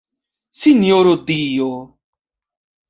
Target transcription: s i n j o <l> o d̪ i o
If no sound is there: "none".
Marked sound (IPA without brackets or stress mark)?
ɾ